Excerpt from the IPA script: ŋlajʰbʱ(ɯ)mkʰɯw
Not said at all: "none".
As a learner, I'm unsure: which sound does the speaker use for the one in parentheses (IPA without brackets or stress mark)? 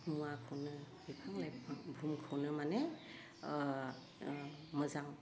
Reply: u